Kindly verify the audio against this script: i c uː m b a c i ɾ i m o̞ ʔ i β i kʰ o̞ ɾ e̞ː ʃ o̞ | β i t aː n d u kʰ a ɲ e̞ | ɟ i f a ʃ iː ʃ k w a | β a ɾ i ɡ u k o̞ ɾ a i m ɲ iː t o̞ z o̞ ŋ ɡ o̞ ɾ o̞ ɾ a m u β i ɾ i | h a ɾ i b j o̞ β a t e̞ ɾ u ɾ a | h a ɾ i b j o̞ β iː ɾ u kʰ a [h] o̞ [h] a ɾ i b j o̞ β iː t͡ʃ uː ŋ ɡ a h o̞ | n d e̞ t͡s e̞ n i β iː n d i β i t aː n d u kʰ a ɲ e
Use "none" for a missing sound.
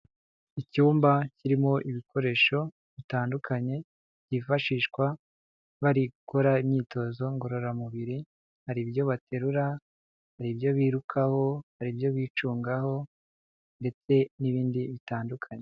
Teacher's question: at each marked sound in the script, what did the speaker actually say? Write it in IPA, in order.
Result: h, h

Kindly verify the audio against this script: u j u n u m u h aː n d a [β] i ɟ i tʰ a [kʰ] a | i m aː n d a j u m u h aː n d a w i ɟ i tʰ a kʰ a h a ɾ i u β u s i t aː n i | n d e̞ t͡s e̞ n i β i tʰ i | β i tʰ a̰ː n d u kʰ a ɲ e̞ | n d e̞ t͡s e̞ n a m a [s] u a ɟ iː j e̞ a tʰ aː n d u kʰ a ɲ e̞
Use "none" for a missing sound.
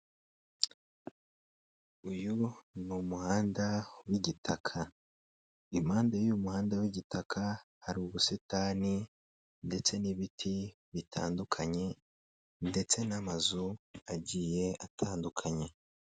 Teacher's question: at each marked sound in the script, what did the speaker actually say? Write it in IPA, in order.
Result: w, kʰ, z

